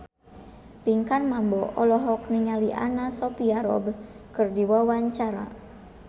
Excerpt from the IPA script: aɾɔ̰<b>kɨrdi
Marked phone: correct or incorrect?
correct